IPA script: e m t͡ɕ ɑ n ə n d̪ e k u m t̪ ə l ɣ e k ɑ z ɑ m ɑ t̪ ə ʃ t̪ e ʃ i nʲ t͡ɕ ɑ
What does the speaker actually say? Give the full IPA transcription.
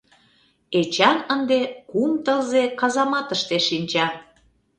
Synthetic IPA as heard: e t͡ɕ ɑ n ə n d̪ e k u m t̪ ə l z e k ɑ z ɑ m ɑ t̪ ə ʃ t̪ e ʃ i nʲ t͡ɕ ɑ